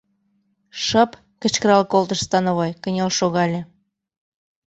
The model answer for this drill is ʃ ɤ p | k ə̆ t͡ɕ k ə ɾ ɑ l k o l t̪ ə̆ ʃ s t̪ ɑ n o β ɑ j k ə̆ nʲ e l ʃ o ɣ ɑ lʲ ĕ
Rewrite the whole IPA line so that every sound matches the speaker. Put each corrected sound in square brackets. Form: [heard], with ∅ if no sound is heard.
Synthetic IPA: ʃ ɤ p | k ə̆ t͡ɕ k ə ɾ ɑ l k o l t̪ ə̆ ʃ s t̪ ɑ n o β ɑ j k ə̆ nʲ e l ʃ o ɣ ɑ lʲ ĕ